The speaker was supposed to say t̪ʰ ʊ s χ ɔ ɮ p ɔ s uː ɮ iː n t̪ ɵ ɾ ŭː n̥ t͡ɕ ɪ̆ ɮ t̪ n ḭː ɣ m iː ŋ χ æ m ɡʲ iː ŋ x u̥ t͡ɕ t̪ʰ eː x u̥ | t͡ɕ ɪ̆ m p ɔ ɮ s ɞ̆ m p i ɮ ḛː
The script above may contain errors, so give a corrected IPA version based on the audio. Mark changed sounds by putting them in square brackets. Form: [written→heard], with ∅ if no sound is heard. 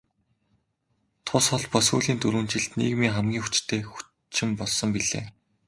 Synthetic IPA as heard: t̪ʰ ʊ s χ ɔ ɮ p ɔ s uː ɮ iː n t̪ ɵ ɾ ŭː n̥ t͡ɕ ɪ̆ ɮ t̪ n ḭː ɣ m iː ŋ χ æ m ɡʲ iː ŋ x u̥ t͡ɕ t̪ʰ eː x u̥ | t͡ɕ ɪ̆ m p ɔ ɮ s ɞ̆ m p i ɮ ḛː